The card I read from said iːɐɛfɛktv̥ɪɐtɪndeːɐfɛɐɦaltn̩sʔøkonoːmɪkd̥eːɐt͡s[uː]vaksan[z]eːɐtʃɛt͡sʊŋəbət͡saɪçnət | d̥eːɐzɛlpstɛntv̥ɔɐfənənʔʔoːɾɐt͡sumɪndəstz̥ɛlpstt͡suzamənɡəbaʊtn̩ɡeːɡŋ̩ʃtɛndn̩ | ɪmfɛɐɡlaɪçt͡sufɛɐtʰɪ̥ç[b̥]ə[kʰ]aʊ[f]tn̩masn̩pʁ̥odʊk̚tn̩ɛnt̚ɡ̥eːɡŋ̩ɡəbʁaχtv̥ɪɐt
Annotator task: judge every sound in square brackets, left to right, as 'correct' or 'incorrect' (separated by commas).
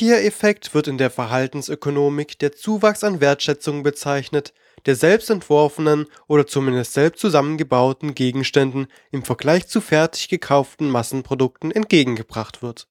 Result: correct, incorrect, incorrect, correct, correct